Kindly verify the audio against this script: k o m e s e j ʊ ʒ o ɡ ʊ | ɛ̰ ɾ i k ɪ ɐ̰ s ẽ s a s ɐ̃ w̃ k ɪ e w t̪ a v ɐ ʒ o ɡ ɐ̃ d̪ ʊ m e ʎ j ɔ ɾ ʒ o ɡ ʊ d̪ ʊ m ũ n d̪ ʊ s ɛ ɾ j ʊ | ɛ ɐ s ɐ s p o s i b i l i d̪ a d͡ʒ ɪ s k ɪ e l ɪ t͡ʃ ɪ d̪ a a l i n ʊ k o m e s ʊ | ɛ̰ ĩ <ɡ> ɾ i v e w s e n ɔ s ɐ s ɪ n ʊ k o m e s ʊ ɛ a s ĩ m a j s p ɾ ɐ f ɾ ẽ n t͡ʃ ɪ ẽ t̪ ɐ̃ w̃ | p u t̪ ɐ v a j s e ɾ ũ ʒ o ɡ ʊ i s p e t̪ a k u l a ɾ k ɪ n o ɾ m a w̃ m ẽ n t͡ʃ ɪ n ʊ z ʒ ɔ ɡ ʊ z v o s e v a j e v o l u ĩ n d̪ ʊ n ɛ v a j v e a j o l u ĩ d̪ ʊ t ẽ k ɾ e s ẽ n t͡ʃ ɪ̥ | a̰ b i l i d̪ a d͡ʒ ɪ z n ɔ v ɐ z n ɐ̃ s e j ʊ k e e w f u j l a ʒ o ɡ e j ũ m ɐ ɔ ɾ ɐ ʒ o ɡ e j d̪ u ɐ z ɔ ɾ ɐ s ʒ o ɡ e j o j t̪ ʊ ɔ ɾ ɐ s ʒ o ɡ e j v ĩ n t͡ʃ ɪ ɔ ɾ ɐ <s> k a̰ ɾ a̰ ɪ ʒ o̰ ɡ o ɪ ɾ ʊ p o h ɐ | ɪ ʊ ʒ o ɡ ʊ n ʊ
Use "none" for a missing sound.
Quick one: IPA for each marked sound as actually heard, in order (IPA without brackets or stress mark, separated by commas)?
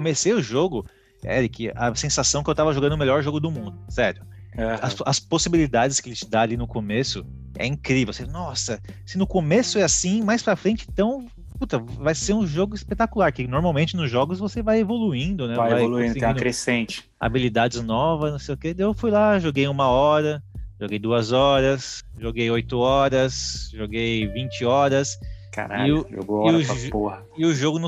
k, s